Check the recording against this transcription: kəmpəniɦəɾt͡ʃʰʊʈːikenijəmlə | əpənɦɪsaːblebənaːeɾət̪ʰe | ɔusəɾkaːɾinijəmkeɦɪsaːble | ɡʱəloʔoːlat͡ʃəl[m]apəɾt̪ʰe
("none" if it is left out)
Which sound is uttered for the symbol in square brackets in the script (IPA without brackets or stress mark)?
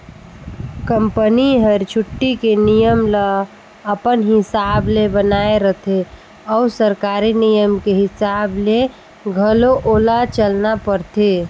n